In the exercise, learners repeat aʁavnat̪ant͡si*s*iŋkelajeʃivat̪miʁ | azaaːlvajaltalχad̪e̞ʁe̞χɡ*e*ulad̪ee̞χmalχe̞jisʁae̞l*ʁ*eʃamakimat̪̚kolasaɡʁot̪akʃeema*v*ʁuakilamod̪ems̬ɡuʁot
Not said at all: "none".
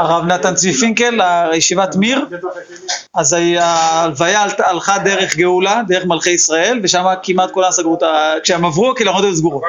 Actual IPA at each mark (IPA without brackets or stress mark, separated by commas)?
f, e, v, v